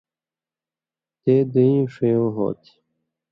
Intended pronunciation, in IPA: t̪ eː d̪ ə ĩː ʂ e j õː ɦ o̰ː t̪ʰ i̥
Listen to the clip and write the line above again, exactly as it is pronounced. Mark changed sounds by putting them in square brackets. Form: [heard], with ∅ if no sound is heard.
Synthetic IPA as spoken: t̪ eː d̪ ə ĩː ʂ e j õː ɦ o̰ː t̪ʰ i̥